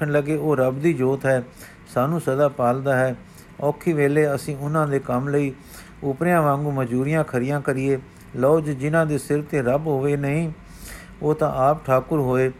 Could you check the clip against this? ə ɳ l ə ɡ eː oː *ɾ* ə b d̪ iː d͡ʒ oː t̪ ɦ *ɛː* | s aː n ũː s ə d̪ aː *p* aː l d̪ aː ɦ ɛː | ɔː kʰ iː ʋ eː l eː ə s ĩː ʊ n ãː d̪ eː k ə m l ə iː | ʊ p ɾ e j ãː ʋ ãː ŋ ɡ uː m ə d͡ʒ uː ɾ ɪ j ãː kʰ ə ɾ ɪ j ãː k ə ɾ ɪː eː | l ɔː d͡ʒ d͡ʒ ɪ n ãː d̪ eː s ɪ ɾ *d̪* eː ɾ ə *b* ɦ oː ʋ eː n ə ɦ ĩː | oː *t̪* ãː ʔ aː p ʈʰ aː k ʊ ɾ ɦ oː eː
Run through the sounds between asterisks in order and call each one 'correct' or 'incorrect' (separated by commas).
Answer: correct, correct, correct, incorrect, correct, correct